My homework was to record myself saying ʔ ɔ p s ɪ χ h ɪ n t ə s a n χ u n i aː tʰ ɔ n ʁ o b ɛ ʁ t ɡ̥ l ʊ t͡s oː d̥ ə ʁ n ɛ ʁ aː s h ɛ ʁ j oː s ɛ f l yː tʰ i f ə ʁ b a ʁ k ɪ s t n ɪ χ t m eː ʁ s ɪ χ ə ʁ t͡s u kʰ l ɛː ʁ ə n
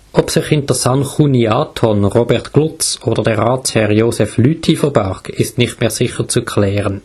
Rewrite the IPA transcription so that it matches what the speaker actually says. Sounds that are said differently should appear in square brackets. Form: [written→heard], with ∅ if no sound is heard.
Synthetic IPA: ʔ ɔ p s ɪ χ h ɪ n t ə s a n χ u n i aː tʰ ɔ n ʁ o b ɛ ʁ t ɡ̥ l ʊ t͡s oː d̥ ə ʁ [n→d] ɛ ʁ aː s h ɛ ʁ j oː s ɛ f l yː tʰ i f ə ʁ b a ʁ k ɪ s t n ɪ χ t m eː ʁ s ɪ χ ə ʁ t͡s u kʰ l ɛː ʁ ə n

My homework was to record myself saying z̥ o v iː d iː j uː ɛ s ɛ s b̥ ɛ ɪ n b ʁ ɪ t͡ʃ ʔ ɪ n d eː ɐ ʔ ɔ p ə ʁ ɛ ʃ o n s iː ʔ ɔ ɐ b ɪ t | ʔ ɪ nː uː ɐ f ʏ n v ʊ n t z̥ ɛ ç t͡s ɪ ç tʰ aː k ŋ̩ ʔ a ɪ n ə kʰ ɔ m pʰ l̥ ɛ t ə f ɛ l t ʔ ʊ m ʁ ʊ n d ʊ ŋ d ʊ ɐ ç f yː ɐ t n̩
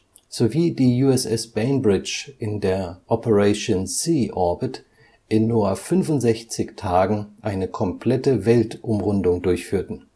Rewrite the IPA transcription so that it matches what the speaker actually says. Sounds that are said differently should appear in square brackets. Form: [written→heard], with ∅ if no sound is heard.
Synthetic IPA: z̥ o v iː d iː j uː ɛ s ɛ s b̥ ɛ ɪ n b ʁ ɪ t͡ʃ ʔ ɪ n d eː ɐ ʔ ɔ p ə ʁ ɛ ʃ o n s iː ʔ ɔ ɐ b ɪ t | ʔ ɪ nː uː ɐ f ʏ n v ʊ n t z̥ ɛ ç t͡s ɪ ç tʰ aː [k→ɡ] ŋ̩ ʔ a ɪ n ə kʰ ɔ m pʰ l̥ ɛ t ə [f→v] ɛ l t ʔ ʊ m ʁ ʊ n d ʊ ŋ d ʊ ɐ ç f yː ɐ t n̩

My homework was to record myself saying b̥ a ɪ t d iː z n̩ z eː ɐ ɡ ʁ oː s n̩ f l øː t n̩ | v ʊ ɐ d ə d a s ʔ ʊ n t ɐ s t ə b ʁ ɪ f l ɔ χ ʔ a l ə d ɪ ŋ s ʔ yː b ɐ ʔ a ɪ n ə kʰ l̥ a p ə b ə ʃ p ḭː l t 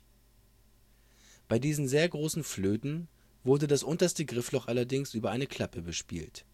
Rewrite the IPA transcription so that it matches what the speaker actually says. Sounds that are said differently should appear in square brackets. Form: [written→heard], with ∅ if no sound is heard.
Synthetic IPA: b̥ a ɪ [t→∅] d iː z n̩ z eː ɐ ɡ ʁ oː s n̩ f l øː t n̩ | v ʊ ɐ d ə d a s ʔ ʊ n t ɐ s t ə [b→ɡ] ʁ ɪ f l ɔ χ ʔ a l [ə→ɐ] d ɪ ŋ s ʔ yː b ɐ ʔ a ɪ n ə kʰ l̥ a p ə b ə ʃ p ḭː l t

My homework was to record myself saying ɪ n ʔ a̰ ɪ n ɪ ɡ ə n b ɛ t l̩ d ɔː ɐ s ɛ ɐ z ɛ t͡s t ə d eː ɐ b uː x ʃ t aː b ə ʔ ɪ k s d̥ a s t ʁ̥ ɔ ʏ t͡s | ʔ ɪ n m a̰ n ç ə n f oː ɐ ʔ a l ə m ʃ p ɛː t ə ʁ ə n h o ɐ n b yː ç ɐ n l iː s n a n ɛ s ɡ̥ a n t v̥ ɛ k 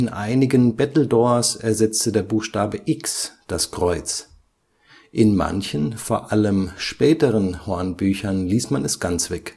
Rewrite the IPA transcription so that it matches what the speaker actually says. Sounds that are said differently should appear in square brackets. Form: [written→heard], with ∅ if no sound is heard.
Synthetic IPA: ɪ n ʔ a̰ ɪ n ɪ ɡ ə n b ɛ t l̩ d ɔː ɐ s ɛ ɐ z ɛ t͡s t ə d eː ɐ b uː x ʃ t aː b ə ʔ ɪ k s d̥ a s [t→k] ʁ̥ ɔ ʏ t͡s | ʔ ɪ n m a̰ n ç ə n f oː ɐ ʔ a l ə m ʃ p ɛː t ə ʁ ə n h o ɐ n b yː ç ɐ n l iː s [n→m] a n ɛ s ɡ̥ a n [t→t͡s] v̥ ɛ k

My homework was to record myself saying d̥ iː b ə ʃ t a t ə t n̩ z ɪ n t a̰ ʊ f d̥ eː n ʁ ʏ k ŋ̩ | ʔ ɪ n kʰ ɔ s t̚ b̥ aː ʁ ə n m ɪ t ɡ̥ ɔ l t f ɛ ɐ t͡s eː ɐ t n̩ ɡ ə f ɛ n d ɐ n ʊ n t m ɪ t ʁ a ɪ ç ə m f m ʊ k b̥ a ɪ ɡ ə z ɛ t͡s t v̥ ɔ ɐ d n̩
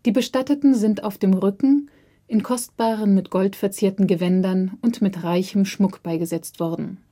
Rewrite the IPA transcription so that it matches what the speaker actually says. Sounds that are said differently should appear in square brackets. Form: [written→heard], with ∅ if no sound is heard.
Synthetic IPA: d̥ iː b ə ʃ t a t ə t n̩ z ɪ n t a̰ ʊ f d̥ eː [n→m] ʁ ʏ k ŋ̩ | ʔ ɪ n kʰ ɔ s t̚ b̥ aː ʁ ə n m ɪ t ɡ̥ ɔ l t f ɛ ɐ t͡s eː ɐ t n̩ ɡ ə [f→v] ɛ n d ɐ n ʊ n t m ɪ t ʁ a ɪ ç ə m [f→ʃ] m ʊ k b̥ a ɪ ɡ ə z ɛ t͡s t v̥ ɔ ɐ d n̩

